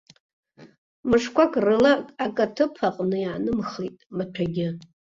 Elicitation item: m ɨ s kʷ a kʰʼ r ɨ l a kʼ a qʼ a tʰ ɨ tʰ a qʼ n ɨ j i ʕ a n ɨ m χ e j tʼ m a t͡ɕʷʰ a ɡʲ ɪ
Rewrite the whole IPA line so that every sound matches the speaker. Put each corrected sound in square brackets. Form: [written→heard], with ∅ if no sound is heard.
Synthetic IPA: m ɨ [s→ʂ] kʷ a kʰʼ r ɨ l a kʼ a [qʼ→kʼ] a tʰ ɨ [tʰ→pʰ] a qʼ n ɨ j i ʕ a n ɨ m χ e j tʼ m a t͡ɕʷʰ a ɡʲ ɪ